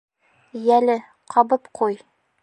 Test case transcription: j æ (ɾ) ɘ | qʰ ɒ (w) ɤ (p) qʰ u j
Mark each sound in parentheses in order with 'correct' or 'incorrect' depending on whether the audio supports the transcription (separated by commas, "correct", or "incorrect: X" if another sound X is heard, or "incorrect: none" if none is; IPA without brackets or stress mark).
incorrect: l, incorrect: b, correct